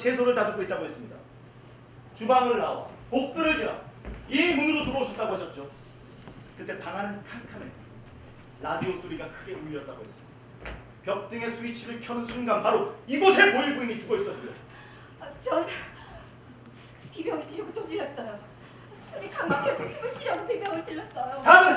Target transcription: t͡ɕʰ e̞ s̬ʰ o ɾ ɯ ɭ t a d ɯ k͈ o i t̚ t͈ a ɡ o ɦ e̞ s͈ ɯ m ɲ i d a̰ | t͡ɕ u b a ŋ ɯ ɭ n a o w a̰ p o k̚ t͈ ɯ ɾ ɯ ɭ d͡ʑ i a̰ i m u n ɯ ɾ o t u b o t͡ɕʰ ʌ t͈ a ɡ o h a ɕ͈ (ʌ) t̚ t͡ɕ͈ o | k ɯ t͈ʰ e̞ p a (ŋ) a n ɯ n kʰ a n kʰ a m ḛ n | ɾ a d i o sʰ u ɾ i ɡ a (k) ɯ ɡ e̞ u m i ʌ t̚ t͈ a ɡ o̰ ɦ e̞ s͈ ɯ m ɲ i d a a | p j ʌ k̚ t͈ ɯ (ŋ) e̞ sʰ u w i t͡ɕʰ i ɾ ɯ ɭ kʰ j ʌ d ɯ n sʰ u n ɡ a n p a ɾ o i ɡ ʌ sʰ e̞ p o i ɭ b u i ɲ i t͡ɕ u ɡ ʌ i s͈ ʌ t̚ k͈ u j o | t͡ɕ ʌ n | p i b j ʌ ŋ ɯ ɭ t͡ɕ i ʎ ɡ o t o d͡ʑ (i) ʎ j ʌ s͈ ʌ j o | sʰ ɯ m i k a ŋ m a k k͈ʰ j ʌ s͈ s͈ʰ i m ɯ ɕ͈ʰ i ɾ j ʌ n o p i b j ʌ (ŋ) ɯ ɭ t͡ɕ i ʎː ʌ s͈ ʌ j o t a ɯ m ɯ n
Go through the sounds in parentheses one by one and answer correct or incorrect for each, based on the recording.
correct, correct, incorrect, correct, correct, correct

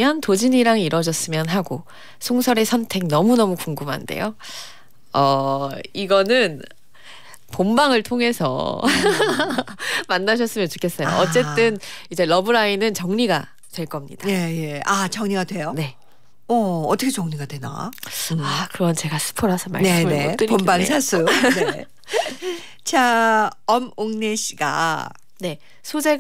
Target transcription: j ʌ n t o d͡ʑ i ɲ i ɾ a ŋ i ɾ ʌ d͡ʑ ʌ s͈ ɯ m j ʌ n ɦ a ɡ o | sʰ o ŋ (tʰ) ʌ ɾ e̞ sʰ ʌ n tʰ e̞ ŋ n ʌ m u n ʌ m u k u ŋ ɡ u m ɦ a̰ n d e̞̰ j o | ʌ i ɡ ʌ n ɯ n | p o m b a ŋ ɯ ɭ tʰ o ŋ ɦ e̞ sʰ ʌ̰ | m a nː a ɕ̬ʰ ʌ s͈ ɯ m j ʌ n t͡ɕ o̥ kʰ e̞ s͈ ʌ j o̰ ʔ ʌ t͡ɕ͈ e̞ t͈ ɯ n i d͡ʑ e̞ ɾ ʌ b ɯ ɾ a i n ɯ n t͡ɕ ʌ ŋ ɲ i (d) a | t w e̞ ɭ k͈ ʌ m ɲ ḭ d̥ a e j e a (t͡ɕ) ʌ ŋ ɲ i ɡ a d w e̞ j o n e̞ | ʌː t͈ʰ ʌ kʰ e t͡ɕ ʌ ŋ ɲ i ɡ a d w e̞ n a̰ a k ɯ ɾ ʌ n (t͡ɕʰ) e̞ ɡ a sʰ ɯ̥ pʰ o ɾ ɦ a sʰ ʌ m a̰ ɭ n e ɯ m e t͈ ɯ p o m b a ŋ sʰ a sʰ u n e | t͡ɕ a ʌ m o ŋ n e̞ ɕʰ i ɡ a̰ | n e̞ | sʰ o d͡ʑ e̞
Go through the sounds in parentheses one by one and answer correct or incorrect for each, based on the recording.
incorrect, incorrect, correct, incorrect

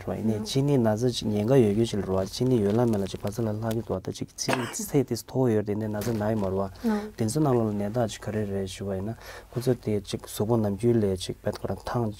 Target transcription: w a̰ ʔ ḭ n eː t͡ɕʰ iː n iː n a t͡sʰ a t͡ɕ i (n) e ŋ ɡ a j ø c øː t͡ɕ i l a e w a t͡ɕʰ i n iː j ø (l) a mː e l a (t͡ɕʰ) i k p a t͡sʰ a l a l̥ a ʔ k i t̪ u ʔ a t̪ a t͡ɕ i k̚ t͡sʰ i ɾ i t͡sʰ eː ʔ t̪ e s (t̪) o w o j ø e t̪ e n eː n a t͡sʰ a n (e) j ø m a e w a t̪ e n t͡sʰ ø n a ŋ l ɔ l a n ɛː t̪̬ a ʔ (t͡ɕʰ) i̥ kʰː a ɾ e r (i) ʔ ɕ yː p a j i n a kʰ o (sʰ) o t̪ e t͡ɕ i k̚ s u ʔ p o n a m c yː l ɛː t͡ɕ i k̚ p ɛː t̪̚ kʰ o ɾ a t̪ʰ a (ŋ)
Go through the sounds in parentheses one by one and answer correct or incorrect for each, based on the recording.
incorrect, correct, incorrect, incorrect, incorrect, incorrect, incorrect, incorrect, correct

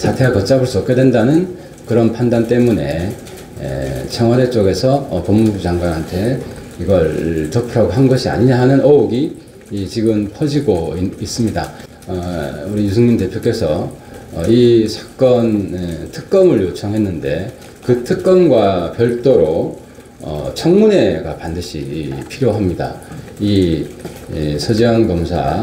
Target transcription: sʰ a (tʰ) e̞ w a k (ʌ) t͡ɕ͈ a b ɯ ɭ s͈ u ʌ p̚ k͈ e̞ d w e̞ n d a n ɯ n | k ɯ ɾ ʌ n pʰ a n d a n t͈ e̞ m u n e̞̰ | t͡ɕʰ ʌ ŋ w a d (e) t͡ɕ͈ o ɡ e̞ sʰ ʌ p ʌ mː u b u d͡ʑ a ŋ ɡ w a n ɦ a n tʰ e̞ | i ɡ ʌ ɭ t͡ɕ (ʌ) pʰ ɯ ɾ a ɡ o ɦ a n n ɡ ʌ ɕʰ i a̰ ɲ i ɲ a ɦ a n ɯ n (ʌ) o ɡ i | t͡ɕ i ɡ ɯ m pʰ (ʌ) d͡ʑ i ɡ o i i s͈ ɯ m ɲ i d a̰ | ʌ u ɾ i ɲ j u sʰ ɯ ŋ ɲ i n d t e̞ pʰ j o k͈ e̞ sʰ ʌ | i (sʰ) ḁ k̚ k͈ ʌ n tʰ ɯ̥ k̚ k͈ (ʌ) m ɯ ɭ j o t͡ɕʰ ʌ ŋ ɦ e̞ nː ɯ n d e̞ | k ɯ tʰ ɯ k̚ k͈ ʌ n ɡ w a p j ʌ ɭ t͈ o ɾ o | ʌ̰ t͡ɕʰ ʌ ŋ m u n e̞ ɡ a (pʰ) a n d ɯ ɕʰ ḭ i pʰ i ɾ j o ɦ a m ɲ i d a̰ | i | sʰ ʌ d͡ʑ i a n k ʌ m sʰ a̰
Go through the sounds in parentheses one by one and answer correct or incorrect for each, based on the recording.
correct, correct, correct, correct, correct, correct, correct, correct, incorrect

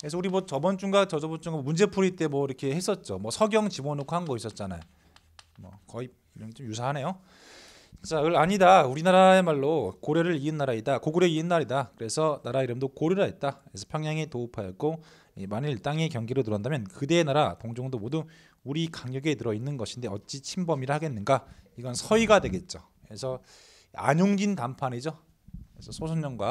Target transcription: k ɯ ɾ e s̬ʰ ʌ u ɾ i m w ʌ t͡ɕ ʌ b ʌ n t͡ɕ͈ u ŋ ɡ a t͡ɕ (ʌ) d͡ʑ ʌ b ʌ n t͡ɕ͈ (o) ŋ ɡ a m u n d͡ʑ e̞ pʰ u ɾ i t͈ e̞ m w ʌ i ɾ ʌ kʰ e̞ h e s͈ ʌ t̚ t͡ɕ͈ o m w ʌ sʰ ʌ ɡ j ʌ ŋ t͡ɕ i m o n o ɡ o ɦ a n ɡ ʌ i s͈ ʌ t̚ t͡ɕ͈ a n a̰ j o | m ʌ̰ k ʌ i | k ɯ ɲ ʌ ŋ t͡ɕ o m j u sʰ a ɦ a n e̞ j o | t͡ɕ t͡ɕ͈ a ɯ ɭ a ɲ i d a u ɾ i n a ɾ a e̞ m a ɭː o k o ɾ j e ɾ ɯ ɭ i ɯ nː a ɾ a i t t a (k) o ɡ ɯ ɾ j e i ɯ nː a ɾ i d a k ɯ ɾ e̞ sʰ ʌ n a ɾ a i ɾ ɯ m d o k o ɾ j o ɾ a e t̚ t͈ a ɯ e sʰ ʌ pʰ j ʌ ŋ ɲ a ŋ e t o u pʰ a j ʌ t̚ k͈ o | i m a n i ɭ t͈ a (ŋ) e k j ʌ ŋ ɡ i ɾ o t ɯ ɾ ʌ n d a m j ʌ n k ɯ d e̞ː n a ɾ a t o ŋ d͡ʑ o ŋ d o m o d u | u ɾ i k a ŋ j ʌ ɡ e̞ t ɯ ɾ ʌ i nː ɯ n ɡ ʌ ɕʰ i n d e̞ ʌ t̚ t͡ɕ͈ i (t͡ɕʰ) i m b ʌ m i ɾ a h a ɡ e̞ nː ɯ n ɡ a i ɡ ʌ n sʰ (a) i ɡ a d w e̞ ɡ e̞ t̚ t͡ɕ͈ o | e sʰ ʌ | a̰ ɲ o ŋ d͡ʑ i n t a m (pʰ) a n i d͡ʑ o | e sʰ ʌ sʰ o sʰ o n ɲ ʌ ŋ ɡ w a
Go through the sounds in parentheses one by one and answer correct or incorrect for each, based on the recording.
correct, incorrect, correct, correct, correct, incorrect, correct

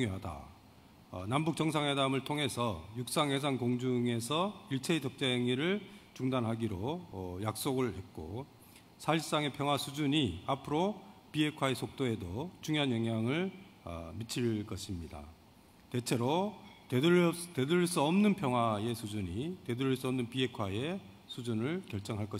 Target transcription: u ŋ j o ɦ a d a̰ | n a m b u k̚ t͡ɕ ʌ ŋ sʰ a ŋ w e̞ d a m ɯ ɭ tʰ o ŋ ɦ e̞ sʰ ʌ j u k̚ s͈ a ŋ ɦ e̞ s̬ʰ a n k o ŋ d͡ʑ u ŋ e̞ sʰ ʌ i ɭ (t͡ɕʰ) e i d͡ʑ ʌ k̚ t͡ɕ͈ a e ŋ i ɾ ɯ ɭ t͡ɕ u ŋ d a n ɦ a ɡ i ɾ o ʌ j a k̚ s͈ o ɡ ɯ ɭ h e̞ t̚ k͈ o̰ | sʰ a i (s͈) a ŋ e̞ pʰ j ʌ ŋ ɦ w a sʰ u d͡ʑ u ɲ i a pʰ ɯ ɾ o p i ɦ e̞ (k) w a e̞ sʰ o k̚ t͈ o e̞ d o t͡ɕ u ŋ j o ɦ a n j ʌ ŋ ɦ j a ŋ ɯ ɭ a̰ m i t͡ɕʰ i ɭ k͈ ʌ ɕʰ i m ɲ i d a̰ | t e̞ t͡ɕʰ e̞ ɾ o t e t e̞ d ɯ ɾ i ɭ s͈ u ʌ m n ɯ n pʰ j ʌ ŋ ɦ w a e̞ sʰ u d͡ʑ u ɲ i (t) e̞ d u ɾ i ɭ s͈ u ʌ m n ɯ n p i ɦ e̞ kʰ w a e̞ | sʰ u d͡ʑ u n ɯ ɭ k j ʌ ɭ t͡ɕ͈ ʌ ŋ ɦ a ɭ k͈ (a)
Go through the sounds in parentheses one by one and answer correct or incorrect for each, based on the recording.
correct, correct, incorrect, correct, incorrect

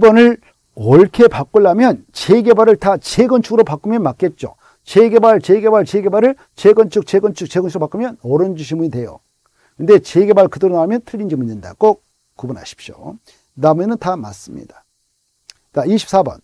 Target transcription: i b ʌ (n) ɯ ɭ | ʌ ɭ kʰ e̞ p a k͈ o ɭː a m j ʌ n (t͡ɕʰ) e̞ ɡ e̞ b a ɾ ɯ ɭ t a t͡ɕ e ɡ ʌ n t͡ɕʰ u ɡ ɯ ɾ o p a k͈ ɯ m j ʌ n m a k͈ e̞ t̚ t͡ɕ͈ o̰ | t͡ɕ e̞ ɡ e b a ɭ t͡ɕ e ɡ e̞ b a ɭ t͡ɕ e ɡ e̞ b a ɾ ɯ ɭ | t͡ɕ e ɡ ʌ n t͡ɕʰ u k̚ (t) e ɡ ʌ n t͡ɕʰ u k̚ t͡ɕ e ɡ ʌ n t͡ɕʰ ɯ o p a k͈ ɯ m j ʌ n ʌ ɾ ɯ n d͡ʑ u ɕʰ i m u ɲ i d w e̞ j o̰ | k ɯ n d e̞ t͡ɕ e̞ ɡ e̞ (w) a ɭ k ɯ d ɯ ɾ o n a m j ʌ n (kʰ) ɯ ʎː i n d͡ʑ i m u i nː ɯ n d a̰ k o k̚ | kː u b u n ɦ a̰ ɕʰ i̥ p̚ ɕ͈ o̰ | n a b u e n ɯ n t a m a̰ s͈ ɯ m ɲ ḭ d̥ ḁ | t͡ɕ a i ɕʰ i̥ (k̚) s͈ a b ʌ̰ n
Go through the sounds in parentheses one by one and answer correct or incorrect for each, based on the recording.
correct, incorrect, incorrect, incorrect, incorrect, incorrect

